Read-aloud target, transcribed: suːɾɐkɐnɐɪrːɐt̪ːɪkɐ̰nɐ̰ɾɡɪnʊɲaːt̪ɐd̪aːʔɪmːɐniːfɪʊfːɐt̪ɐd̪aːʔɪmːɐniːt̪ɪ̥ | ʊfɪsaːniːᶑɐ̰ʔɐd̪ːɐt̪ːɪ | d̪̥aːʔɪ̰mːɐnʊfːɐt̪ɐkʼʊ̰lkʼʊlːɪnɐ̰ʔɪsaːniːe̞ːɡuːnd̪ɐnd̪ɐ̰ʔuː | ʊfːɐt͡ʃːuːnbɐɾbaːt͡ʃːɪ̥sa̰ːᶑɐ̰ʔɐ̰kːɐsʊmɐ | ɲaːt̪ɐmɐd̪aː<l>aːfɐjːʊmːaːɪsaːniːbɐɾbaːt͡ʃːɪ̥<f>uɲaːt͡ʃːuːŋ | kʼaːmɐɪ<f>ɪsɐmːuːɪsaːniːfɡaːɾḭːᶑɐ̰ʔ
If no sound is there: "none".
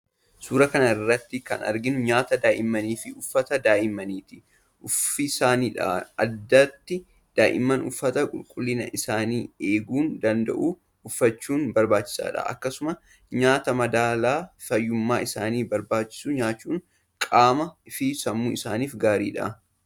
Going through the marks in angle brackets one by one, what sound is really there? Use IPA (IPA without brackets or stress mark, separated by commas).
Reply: l, s, f